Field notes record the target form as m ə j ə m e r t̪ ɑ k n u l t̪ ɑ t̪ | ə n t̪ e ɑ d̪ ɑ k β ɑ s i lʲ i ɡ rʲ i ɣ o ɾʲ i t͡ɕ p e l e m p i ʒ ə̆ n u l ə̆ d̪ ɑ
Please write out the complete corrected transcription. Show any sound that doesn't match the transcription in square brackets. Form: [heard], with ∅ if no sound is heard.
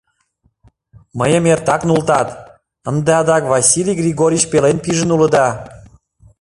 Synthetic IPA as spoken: m ə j ə m e r t̪ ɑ k n u l t̪ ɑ t̪ | ə n [d̪] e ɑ d̪ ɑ k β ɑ s i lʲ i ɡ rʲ i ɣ o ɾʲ i t͡ɕ p e l e [n] p i ʒ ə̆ n u l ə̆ d̪ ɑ